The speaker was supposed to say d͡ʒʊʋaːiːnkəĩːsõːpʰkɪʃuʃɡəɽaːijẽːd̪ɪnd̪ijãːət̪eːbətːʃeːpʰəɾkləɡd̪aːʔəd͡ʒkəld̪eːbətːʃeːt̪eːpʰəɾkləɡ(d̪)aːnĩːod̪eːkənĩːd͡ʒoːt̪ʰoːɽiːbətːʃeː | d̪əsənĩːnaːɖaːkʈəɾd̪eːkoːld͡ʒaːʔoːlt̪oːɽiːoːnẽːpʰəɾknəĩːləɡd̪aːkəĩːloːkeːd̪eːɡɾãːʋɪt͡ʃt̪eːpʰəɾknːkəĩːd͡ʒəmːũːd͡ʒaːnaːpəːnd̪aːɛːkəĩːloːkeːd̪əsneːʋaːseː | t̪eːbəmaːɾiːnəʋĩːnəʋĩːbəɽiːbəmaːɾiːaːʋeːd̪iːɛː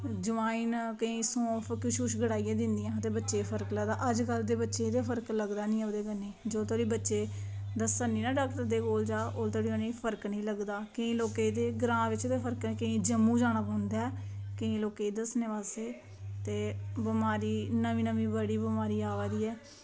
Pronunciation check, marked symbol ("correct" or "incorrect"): correct